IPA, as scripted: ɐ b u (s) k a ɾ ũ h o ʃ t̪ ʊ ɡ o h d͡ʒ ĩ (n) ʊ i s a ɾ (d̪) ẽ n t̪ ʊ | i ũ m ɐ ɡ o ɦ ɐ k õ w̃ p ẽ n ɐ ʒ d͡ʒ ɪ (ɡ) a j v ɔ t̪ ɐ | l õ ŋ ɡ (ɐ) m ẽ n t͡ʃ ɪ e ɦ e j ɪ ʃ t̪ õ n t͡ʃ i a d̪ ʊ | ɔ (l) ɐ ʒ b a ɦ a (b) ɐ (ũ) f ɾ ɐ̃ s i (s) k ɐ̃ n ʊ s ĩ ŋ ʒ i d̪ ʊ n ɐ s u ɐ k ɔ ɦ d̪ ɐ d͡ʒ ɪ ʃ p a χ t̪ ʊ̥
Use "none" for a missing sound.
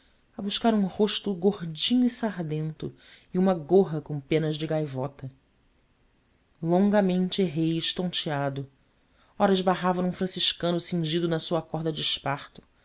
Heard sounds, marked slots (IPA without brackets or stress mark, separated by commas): ʃ, ɲ, d̪, ɡ, ɐ, ɾ, v, ũ, ʃ